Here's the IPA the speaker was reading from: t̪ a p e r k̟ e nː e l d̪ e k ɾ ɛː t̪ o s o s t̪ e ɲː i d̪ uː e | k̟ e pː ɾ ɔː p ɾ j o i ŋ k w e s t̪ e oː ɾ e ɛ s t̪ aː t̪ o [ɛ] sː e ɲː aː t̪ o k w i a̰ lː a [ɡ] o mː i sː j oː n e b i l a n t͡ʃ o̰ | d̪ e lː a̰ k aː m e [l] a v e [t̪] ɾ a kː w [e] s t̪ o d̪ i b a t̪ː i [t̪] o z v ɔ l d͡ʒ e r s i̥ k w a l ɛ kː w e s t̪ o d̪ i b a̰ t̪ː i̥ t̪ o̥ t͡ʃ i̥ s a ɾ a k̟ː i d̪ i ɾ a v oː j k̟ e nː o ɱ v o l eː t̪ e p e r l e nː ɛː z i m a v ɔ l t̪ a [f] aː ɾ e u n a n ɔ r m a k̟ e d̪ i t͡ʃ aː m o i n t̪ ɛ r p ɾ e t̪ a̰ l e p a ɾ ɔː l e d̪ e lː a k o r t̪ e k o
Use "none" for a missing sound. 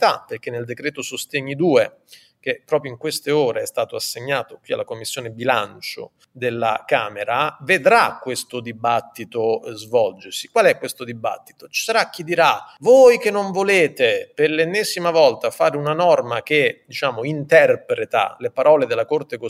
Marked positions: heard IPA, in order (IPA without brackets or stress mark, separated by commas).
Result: a, k, ɾ, d̪, e, t̪, f